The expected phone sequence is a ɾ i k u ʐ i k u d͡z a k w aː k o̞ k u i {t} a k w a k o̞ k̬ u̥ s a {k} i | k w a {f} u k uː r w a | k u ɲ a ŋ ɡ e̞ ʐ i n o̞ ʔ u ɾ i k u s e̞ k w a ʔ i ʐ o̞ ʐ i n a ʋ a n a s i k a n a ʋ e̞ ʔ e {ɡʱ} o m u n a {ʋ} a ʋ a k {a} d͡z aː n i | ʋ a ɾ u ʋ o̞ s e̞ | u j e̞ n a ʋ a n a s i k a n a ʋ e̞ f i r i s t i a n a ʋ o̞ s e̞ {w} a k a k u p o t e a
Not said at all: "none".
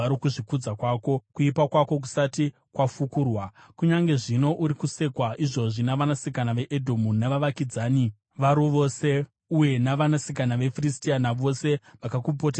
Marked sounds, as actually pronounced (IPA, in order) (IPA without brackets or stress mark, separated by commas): p, t, f, dʱ, ʋ, i, ʋ